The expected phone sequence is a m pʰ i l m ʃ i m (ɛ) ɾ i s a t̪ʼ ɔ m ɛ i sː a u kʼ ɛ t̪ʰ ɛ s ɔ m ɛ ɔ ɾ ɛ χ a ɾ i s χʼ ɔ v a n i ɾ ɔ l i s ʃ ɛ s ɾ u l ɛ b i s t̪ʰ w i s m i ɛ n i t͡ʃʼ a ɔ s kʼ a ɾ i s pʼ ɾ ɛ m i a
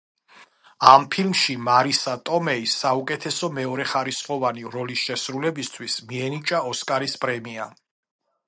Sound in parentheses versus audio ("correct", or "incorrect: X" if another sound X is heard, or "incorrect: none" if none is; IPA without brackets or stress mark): incorrect: a